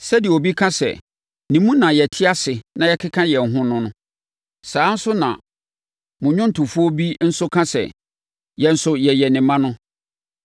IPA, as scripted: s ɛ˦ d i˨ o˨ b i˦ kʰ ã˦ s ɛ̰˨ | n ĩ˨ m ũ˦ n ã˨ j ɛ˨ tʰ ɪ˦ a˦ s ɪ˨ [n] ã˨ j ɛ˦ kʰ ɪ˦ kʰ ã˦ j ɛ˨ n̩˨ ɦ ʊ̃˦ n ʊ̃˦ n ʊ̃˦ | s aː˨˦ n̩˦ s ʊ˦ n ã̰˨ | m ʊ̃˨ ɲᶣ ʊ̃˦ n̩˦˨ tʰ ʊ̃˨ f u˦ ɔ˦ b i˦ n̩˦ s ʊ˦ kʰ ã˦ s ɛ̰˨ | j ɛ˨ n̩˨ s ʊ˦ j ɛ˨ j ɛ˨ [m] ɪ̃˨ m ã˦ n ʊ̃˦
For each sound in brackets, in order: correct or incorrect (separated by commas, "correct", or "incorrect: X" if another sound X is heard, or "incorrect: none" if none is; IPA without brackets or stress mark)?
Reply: correct, incorrect: n